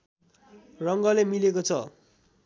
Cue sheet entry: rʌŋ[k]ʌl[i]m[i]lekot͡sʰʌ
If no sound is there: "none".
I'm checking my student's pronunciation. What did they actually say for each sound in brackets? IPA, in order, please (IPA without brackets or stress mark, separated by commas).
ɡ, e, i